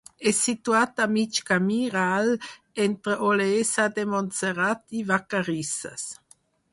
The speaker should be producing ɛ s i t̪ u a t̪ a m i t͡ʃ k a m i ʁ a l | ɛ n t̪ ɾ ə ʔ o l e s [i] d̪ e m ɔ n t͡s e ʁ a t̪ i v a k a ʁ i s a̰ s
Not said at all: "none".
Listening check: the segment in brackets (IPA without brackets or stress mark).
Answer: a